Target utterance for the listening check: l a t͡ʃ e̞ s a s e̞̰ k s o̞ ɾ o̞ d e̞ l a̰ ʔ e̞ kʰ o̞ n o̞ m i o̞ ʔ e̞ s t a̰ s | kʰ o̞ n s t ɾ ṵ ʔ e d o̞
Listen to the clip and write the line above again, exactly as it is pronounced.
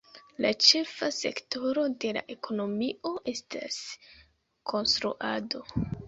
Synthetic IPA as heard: l a t͡ʃ e̞ f a s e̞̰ k t o̞ ɾ o̞ d e̞ l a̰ ʔ e̞ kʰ o̞ n o̞ m i o̞ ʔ e̞ s t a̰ s | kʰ o̞ n s t ɾ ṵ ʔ a d o̞